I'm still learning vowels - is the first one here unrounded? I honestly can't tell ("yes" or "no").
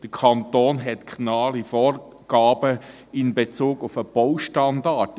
yes